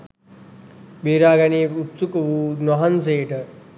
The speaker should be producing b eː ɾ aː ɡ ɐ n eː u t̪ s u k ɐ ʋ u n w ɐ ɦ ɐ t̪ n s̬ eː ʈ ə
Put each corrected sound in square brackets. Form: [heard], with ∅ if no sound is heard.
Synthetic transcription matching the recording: b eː ɾ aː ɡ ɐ n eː u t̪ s u k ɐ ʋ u n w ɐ ɦ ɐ [∅] n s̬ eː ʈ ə